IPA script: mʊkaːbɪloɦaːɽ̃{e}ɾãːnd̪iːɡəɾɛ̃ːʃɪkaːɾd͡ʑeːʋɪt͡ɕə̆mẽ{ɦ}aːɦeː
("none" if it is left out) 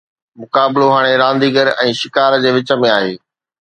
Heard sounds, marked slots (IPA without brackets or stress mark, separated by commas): e, none